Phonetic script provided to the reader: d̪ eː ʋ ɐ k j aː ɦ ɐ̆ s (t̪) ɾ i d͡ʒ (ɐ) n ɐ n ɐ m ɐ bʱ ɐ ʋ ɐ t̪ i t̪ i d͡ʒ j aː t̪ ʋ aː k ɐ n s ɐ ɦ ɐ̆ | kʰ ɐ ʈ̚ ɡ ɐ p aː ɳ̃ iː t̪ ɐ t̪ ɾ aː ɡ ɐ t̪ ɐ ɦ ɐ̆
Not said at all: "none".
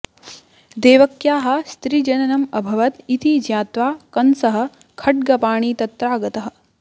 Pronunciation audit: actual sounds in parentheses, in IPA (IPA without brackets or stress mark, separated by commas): t̪, ɐ